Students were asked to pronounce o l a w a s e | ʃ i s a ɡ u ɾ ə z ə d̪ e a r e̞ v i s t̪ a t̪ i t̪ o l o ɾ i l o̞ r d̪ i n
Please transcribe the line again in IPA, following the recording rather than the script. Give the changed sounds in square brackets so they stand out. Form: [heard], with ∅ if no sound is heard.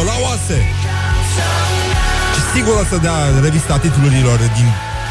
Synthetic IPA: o l a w a s e | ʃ i s [i] ɡ u ɾ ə [s] ə d̪ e a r e̞ v i s t̪ a t̪ i t̪ [u] l [u] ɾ i l o̞ r d̪ i n